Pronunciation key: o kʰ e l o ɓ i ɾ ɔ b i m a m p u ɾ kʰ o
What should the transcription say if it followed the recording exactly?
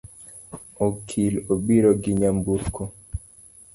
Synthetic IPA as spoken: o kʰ i l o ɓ i ɾ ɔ ɡ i ɲ a m b u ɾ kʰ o